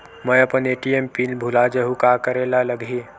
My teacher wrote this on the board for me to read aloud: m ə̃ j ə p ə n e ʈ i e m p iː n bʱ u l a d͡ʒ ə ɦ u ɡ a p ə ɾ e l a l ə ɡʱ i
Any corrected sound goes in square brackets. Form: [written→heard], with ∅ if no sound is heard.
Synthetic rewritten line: m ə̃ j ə p ə n e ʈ i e m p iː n bʱ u l a d͡ʒ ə ɦ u [ɡ→k] a [p→k] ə ɾ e l a l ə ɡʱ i